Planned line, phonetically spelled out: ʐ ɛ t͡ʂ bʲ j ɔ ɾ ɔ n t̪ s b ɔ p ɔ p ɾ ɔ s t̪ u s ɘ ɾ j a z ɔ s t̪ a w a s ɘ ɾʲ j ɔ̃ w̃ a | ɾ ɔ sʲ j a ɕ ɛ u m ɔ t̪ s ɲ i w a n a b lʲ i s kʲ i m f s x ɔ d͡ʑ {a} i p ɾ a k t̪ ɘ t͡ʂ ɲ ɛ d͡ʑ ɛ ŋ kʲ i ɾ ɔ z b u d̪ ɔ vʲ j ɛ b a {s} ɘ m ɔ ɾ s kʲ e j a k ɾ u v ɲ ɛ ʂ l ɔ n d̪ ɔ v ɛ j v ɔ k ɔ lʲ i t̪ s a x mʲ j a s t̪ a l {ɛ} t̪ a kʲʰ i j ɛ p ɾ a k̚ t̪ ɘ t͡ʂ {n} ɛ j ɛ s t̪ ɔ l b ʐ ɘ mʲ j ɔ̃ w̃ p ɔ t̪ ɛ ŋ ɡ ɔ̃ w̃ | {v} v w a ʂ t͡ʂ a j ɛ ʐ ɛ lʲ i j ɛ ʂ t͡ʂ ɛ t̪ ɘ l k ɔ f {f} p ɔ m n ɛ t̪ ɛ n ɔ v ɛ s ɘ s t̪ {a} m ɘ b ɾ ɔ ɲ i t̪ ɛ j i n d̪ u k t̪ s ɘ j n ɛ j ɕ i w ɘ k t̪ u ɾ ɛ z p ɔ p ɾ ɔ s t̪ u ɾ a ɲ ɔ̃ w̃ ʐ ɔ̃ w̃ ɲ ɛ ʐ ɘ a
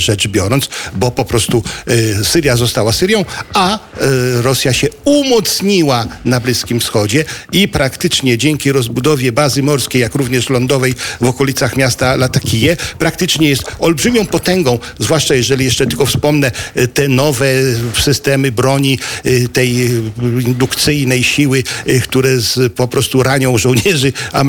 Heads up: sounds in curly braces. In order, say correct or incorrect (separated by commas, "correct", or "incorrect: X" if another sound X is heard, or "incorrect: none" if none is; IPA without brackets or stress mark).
incorrect: ɛ, incorrect: z, incorrect: a, incorrect: ɲ, incorrect: z, incorrect: s, incorrect: ɛ